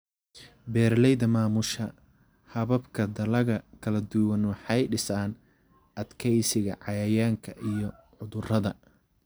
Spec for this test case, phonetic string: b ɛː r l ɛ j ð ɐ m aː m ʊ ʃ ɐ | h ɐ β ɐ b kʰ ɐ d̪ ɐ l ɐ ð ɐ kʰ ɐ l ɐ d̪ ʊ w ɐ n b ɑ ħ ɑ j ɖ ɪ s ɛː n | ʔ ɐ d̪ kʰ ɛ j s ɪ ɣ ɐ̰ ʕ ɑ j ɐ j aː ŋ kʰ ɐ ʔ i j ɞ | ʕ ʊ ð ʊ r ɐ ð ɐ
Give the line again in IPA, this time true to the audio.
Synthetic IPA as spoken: b ɛː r l ɛ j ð ɐ m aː m ʊ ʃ ɐ | h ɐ β ɐ b kʰ ɐ d̪ ɐ l ɐ ɣ ɐ kʰ ɐ l ɐ d̪ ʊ w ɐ n w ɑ ħ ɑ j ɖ ɪ s aː n | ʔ ɐ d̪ kʰ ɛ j s ɪ ɣ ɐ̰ ʕ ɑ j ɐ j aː ŋ kʰ ɐ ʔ i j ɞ | ʕ ʊ ð ʊ r ɐ ð ɐ